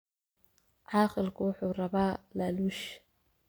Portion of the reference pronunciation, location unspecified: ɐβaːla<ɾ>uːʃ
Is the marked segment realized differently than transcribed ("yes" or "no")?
yes